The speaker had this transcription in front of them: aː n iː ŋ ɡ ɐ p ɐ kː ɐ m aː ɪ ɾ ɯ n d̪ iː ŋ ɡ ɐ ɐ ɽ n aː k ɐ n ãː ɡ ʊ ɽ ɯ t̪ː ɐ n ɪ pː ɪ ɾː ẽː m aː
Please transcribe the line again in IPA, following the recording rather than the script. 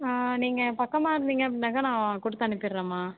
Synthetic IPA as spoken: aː n iː ŋ ɡ ɐ p ɐ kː ɐ m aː ɪ ɾ ɯ n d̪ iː ŋ ɡ ɐ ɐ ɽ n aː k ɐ n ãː k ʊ ɽ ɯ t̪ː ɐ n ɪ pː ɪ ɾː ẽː m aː

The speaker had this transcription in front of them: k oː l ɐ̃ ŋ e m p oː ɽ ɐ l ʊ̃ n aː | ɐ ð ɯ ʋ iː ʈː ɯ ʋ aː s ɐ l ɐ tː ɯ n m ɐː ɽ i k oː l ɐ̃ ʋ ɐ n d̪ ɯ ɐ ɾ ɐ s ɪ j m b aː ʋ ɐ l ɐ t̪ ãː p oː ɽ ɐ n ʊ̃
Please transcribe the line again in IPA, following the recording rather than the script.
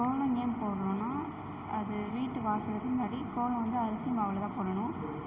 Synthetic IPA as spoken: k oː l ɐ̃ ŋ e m p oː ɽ ɐ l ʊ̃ n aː | ɐ ð ɯ ʋ iː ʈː ɯ ʋ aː s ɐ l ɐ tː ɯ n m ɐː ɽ i k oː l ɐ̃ ʋ ɐ n d̪ ɯ ɐ ɾ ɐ s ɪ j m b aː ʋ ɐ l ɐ t̪ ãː p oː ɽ ɐ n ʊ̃

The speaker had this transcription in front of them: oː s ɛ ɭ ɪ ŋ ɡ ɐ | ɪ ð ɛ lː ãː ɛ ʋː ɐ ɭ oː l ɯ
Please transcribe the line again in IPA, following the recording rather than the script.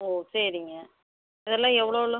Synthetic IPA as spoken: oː s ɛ ɾ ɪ ŋ ɡ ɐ | ɪ ð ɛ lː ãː ɛ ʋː ɐ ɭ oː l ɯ

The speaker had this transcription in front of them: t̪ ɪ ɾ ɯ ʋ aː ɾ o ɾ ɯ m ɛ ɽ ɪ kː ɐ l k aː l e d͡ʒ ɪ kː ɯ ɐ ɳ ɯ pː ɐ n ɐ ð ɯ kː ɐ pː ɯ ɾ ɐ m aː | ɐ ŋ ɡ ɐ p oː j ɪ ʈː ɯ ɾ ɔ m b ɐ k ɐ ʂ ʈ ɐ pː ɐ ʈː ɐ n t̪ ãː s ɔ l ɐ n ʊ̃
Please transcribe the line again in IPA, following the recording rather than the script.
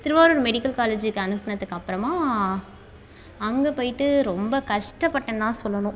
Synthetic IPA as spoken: t̪ ɪ ɾ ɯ ʋ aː ɾ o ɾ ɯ m ɛ ɽ ɪ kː ɐ l k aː l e d͡ʒ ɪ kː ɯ ɐ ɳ ɯ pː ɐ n ɐ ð ɯ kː ɐ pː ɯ ɾ ɐ m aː | ɐ ŋ ɡ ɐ p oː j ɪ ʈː ɯ ɾ ɔ m b ɐ k ɐ ʂ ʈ ɐ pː ɐ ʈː ɐ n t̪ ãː s ɔ lː ɐ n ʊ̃

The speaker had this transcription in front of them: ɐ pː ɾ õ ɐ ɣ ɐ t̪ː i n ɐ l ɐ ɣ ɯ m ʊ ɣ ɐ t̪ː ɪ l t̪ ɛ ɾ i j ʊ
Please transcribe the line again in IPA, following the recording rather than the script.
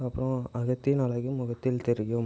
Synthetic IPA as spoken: ɐ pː ɾ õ ɐ ɣ ɐ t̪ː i n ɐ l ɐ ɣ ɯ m ʊ ɣ ɐ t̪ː ɪ l t̪ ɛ ɾ ɪ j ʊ

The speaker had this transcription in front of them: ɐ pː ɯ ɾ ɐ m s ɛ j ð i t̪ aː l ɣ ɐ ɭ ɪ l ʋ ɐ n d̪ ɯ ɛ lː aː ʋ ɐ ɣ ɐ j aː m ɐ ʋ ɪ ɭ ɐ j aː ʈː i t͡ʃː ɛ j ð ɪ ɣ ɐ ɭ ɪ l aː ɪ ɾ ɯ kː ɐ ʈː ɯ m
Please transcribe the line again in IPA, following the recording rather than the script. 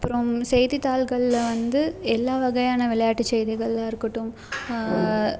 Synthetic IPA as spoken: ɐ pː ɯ ɾ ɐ m s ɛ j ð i t̪ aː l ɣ ɐ ɭ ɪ l ʋ ɐ n d̪ ɯ ɛ lː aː ʋ ɐ ɣ ɐ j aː n ɐ ʋ ɪ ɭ ɐ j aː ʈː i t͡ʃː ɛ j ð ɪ ɣ ɐ ɭ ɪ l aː ɪ ɾ ɯ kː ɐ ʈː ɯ m

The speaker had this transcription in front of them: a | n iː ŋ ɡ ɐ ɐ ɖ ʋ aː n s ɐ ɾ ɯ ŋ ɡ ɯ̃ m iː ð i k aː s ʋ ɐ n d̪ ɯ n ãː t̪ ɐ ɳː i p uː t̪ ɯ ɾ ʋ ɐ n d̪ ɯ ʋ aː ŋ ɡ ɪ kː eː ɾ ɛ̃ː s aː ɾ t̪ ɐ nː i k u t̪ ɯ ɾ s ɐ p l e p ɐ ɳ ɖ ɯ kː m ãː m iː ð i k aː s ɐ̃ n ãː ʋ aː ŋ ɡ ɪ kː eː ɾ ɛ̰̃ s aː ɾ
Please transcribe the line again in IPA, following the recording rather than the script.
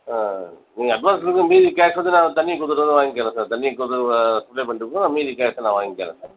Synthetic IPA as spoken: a | n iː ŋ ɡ ɐ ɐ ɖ ʋ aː n s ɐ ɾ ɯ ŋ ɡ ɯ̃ m iː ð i k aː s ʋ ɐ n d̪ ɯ n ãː t̪ ɐ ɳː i k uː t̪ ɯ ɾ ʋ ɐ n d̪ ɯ ʋ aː ŋ ɡ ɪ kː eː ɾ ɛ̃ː s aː ɾ t̪ ɐ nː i k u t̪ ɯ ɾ s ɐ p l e p ɐ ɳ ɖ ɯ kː n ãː m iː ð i k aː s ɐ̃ n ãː ʋ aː ŋ ɡ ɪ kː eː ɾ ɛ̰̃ s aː ɾ

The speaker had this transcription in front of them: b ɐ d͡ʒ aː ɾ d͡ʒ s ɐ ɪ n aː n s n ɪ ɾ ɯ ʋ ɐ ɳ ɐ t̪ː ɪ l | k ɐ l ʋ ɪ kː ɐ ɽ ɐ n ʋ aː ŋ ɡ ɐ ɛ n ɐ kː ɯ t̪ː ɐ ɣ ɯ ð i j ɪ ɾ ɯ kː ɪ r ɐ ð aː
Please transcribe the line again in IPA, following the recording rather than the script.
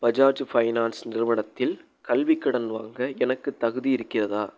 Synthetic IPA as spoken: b ɐ d͡ʒ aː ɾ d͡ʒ f ɐ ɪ n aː n s n ɪ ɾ ɯ ʋ ɐ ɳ ɐ t̪ː ɪ l | k ɐ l ʋ ɪ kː ɐ ɽ ɐ n ʋ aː ŋ ɡ ɐ ɛ n ɐ kː ɯ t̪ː ɐ ɣ ɯ ð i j ɪ ɾ ɯ kː ɪ r ɐ ð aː

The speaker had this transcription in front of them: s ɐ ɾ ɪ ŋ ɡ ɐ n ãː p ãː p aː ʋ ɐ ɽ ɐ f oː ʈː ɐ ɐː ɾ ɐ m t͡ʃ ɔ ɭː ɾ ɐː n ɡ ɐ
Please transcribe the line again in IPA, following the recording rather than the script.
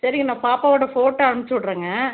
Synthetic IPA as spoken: s ɐ ɾ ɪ ŋ ɡ ɐ n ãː p aː p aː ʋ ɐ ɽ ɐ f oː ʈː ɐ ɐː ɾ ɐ m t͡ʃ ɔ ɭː ɾ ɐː ŋ ɡ ɐ

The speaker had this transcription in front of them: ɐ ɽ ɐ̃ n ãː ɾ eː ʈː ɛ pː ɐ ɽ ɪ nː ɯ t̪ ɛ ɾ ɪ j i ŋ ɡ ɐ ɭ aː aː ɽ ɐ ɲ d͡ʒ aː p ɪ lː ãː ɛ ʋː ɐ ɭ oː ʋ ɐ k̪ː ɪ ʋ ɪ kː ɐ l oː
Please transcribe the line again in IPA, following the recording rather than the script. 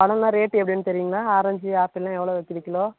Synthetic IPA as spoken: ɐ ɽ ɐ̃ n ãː ɾ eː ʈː ɛ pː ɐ ɽ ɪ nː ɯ t̪ ɛ ɾ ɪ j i ŋ ɡ ɐ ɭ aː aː ɾ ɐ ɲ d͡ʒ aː p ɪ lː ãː ɛ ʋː ɐ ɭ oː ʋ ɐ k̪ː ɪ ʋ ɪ kː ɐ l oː

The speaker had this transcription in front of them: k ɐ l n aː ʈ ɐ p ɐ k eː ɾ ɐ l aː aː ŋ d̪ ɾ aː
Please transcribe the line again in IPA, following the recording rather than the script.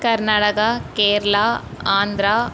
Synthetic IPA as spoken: k ɐ ɾ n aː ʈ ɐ k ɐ k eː ɾ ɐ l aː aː n d̪ ɾ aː

